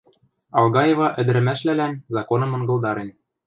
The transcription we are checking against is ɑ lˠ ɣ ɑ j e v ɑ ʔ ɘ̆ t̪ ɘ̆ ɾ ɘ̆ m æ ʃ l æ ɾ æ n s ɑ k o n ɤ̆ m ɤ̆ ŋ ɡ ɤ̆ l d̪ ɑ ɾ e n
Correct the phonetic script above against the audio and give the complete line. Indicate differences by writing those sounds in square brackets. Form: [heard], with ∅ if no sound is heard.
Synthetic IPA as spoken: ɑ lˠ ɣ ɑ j e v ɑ ʔ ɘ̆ [d̪] ɘ̆ ɾ ɘ̆ m æ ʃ l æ [l] æ n [z] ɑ k o n ɤ̆ m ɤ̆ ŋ ɡ ɤ̆ l d̪ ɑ ɾ e n